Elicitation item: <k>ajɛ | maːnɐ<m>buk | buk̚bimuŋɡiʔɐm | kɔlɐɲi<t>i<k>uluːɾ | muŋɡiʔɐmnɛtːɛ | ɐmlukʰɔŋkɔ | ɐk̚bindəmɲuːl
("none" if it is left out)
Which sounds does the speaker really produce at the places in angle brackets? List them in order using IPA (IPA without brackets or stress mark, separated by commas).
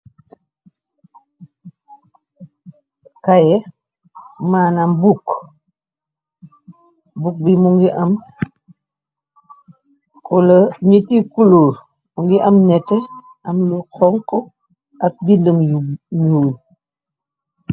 k, m, t, k